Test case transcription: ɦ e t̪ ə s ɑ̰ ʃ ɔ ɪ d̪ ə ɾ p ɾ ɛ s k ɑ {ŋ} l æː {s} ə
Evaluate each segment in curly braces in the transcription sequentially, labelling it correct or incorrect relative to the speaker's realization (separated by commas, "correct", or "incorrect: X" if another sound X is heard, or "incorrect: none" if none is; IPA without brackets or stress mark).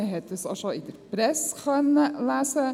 incorrect: n, correct